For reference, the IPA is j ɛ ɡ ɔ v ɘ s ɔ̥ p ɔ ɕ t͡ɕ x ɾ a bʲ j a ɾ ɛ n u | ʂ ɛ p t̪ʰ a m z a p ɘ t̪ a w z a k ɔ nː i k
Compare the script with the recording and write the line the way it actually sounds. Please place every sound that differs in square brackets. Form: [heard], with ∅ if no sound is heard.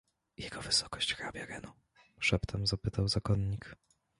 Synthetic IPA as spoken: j ɛ ɡ ɔ v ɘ s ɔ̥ [k] ɔ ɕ t͡ɕ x ɾ a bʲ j a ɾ ɛ n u | ʂ ɛ p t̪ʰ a m z a p ɘ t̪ a w z a k ɔ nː i k

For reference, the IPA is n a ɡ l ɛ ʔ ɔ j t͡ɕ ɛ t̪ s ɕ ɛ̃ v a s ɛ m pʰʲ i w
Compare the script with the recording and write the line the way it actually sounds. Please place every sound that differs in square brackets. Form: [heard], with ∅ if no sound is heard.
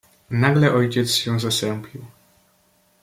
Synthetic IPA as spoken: n a ɡ l ɛ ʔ ɔ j t͡ɕ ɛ t̪ s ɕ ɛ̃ [z] a s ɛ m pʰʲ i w

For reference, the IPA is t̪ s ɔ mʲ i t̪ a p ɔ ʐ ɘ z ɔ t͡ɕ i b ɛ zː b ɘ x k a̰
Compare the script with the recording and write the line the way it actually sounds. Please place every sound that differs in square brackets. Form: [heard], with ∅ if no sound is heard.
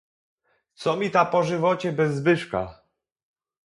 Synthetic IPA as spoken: t̪ s ɔ mʲ i t̪ a p ɔ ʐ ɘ [v] ɔ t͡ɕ [ɛ] b ɛ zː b ɘ [ʂ] k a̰

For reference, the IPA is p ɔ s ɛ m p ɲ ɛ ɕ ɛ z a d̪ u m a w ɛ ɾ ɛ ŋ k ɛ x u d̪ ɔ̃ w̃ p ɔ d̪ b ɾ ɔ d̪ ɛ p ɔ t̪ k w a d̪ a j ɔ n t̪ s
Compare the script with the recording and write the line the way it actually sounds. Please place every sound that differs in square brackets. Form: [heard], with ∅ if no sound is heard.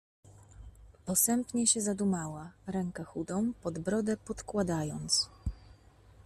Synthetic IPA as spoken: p ɔ s ɛ m p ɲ ɛ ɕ ɛ z a d̪ u m a w [a] ɾ ɛ ŋ k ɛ x u d̪ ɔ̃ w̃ p ɔ d̪ b ɾ ɔ d̪ ɛ p ɔ t̪ k w a d̪ a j ɔ n t̪ s

